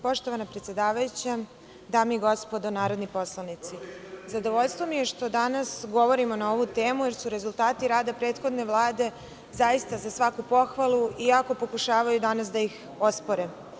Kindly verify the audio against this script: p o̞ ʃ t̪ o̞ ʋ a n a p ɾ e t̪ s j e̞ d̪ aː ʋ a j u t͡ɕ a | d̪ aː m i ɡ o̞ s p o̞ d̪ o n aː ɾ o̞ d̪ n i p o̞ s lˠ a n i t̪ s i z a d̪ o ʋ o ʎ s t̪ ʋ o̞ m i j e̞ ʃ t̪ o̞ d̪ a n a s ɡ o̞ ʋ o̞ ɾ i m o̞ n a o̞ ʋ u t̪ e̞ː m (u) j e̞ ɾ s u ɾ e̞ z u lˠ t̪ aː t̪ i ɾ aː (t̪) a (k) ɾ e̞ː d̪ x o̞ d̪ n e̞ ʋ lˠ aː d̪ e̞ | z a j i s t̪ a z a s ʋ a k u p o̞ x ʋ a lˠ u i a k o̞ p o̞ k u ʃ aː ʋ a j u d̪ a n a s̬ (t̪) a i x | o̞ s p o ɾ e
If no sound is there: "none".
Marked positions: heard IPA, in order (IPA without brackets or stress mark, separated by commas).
u, d̪, p, d̪